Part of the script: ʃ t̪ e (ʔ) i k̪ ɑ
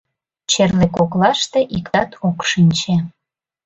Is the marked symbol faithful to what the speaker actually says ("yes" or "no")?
yes